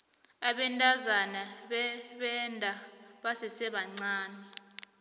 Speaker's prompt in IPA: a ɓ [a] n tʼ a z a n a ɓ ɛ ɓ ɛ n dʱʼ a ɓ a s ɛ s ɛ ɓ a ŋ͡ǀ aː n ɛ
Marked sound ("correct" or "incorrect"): incorrect